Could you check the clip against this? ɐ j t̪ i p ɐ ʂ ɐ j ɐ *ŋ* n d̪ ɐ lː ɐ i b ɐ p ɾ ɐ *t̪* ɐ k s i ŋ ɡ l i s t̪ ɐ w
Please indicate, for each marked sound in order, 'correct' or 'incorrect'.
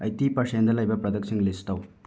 incorrect: none, incorrect: d̪

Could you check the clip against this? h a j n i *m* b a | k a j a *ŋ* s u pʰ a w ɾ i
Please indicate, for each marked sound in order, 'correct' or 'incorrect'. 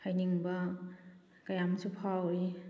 incorrect: ŋ, incorrect: m

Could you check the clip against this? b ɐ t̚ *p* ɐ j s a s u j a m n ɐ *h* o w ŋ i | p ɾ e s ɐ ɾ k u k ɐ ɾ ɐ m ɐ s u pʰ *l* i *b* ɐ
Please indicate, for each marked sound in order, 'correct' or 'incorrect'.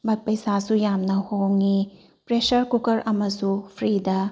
correct, correct, incorrect: ɾ, incorrect: d

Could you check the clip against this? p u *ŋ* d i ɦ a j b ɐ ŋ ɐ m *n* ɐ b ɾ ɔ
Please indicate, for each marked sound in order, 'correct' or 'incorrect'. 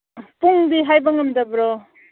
correct, incorrect: d

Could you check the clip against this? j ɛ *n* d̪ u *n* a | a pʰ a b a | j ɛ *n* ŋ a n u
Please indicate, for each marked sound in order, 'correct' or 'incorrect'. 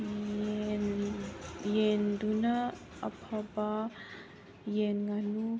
correct, correct, correct

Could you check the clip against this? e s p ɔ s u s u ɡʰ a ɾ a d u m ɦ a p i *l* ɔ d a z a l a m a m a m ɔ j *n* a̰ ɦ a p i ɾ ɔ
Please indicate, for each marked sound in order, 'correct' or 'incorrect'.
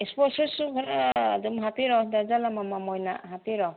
incorrect: ɾ, correct

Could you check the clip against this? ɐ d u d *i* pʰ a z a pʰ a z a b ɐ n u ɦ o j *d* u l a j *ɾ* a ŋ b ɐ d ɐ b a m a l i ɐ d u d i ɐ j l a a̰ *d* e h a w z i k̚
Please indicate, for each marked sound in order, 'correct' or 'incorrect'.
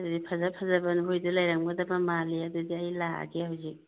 correct, correct, correct, incorrect: ɡ

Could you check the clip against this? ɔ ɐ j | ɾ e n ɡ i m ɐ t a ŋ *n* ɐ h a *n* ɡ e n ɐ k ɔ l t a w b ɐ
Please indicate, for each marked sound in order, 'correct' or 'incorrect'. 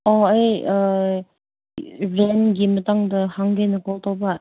incorrect: d, incorrect: ŋ

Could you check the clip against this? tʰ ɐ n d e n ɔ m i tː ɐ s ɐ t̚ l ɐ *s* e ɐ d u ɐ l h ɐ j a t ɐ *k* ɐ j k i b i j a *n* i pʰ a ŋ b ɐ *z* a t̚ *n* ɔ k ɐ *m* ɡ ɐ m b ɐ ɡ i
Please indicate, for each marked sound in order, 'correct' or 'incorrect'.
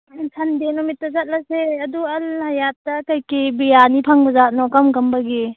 correct, correct, correct, correct, correct, correct

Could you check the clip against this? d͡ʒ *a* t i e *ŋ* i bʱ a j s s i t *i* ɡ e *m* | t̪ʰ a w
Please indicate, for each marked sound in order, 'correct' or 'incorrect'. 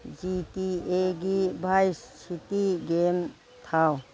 incorrect: i, incorrect: ɡ, correct, correct

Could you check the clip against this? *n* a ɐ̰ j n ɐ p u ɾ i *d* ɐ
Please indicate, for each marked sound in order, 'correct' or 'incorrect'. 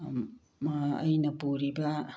incorrect: m, incorrect: b

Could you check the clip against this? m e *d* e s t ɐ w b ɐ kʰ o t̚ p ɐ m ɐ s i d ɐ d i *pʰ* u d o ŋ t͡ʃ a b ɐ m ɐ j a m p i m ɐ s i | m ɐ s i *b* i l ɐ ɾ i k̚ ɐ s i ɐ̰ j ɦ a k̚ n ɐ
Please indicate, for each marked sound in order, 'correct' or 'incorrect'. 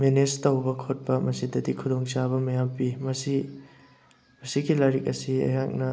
incorrect: n, incorrect: kʰ, incorrect: ɡ

